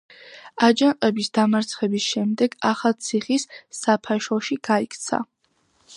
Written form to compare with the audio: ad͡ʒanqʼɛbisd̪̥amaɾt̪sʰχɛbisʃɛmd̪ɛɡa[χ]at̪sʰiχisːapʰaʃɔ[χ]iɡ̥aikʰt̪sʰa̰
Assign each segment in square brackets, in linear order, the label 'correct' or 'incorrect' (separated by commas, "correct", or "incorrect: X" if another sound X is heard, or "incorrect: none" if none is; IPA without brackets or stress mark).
correct, incorrect: ʃ